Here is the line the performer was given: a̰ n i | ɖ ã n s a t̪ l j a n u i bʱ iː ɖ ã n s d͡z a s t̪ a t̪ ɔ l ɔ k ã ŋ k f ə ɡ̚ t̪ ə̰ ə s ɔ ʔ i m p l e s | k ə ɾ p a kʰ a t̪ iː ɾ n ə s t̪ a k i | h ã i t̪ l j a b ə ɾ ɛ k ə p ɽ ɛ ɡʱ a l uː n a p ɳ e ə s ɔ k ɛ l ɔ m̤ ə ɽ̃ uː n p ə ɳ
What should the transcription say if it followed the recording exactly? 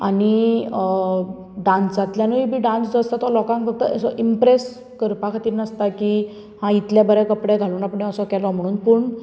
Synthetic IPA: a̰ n i | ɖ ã n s a t̪ l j a n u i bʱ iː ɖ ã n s d͡z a s t̪ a t̪ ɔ l ɔ k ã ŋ k f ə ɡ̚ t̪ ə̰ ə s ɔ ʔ i m p ɾ e s | k ə ɾ p a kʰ a t̪ iː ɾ n ə s t̪ a k i | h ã i t̪ l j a b ə ɾ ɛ k ə p ɽ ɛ ɡʱ a l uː n a p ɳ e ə s ɔ k ɛ l ɔ m̤ ə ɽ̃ uː n p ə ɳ